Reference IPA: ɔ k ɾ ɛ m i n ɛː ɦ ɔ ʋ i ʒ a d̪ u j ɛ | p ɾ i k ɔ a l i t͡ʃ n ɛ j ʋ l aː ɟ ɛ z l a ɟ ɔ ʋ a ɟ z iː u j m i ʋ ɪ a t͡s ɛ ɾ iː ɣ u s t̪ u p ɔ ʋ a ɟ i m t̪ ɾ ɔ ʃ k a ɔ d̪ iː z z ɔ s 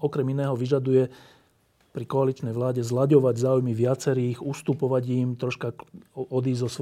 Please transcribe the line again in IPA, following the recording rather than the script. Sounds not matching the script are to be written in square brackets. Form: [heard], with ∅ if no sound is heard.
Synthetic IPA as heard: ɔ k ɾ ɛ m i n ɛː ɦ ɔ ʋ i ʒ a d̪ u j ɛ | p ɾ i k ɔ a l i t͡ʃ n ɛ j ʋ l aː ɟ ɛ z l a ɟ ɔ ʋ a ɟ z [aː] u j m i ʋ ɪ a t͡s ɛ ɾ iː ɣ u s t̪ u p ɔ ʋ a ɟ i m t̪ ɾ ɔ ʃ k a ɔ d̪ iː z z ɔ s